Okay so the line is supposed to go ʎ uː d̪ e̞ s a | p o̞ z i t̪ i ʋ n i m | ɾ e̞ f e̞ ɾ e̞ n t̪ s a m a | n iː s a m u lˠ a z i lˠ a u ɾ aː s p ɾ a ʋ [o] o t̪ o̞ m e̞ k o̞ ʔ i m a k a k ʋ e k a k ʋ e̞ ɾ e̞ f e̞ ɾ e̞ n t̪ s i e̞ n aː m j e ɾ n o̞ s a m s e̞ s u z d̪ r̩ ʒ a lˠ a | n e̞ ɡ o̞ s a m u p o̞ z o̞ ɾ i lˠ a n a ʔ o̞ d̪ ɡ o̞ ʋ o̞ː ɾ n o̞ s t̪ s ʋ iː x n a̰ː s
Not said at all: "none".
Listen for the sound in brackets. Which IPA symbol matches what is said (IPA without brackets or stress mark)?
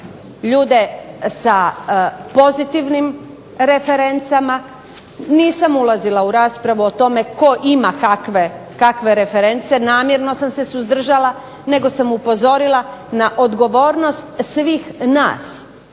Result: u